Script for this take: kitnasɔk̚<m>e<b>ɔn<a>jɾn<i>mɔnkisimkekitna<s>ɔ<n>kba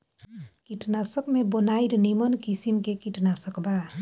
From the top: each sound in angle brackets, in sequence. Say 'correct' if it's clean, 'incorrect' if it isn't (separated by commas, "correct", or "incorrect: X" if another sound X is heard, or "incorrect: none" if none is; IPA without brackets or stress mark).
correct, correct, correct, correct, correct, incorrect: none